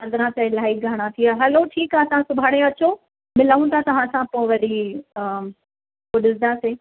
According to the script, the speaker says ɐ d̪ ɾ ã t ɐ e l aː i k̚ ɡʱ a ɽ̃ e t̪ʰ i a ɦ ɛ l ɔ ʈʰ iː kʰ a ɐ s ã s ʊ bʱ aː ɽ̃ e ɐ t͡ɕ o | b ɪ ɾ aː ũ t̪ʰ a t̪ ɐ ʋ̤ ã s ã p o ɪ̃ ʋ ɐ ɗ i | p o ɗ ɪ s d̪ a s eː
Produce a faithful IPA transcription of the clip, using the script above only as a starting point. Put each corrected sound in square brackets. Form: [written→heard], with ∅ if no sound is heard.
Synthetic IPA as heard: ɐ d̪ ɾ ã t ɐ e l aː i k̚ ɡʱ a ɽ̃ [e→a] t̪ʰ i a ɦ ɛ l [ɔ→o] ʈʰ iː [kʰ→k] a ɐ s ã s ʊ bʱ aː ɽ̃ e ɐ t͡ɕ o | [b→m] ɪ [ɾ→l] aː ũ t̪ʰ a t̪ ɐ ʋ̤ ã s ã p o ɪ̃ ʋ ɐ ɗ i | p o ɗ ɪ s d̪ a s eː